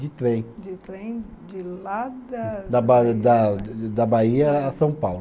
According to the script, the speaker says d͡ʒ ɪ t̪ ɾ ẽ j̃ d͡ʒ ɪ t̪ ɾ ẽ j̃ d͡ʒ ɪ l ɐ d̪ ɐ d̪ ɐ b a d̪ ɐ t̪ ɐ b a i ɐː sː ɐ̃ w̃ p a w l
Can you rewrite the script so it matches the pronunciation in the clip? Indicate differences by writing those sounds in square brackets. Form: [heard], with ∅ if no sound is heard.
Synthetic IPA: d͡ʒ ɪ t̪ ɾ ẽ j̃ d͡ʒ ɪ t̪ ɾ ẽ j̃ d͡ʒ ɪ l [a] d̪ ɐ d̪ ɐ b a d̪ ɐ [d̪] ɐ b a i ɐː [s] ɐ̃ w̃ p a w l